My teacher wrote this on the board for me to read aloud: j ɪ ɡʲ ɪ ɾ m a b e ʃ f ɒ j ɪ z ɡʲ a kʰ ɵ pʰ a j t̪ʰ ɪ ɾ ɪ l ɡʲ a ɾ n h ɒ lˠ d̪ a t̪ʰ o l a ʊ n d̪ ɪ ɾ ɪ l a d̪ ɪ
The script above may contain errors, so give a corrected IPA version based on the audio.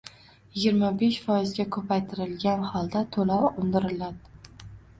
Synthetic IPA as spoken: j ɪ ɡʲ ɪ ɾ m a b e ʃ f ɒ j ɪ z ɡʲ a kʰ ɵ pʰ a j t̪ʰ ɪ ɾ ɪ l ɡʲ a n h ɒ lˠ d̪ a t̪ʰ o l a ʊ n d̪ ɪ ɾ ɪ l a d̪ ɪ